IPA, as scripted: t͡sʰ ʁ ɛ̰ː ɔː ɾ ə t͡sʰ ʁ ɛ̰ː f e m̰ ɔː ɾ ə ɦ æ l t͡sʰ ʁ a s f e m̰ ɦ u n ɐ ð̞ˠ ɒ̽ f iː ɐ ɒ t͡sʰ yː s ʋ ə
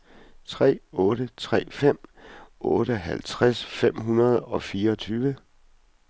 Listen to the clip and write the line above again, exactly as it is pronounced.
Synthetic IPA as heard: t͡sʰ ʁ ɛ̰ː ɔː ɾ ə t͡sʰ ʁ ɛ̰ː f e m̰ ɔː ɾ ə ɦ æ l t͡sʰ ʁ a s f e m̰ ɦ u n ɐ ð̞ˠ ɒ̽ f iː ɐ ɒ t͡sʰ yː ʋ ə